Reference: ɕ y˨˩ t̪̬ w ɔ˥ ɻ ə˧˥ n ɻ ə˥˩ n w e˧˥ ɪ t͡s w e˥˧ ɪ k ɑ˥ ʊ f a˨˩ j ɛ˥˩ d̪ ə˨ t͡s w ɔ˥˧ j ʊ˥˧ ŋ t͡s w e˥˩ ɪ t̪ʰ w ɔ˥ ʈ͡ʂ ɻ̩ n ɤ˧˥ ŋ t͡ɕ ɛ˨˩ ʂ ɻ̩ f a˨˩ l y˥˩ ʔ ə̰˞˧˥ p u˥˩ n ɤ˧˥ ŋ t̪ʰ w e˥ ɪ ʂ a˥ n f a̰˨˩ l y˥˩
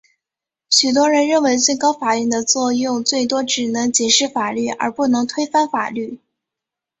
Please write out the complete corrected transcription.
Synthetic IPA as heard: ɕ y˨˩ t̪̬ w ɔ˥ ɻ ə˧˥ n ɻ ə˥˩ n w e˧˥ ɪ t͡s w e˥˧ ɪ k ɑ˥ ʊ f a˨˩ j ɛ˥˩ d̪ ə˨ t͡s w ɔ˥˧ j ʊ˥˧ ŋ t͡s w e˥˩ ɪ t̪ w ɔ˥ ʈ͡ʂ ɻ̩ n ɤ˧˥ ŋ t͡ɕ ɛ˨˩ ʂ ɻ̩ f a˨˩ l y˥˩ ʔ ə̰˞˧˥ p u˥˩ n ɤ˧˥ ŋ t̪ʰ w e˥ ɪ f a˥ n f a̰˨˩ l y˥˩